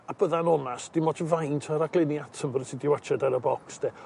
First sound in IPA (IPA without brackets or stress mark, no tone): a